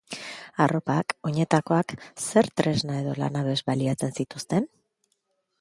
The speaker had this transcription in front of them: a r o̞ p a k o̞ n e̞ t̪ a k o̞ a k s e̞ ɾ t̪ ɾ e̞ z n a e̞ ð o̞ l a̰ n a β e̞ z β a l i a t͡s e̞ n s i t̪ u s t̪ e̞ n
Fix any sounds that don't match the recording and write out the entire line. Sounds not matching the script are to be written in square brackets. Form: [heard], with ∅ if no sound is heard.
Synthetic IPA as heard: a r o̞ p a k o̞ [ɲ] e̞ t̪ a k o̞ a k s e̞ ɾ t̪ ɾ e̞ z n a e̞ ð o̞ l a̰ n a β e̞ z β a l i a t͡s e̞ n s i t̪ u s t̪ e̞ n